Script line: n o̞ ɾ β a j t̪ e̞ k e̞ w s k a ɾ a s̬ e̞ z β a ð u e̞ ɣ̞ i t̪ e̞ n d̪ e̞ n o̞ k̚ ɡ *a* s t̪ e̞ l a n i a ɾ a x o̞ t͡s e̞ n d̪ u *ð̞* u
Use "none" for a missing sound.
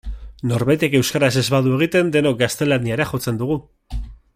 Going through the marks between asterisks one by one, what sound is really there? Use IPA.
a, ɣ̞

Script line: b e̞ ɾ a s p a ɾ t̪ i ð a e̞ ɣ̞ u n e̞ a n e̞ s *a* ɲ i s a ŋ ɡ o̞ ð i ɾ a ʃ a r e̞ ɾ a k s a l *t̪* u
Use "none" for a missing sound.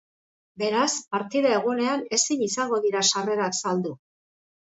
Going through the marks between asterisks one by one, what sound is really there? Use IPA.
i, d̪

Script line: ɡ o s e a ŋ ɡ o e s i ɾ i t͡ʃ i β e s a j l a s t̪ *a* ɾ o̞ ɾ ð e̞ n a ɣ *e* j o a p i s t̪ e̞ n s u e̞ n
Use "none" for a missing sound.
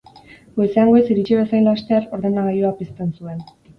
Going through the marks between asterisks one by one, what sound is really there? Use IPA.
e, a

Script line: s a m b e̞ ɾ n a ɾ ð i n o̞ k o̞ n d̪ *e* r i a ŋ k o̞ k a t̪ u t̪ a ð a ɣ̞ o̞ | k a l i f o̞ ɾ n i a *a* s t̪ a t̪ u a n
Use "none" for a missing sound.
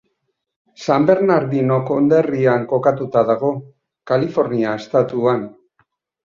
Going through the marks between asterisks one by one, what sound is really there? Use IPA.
e, e

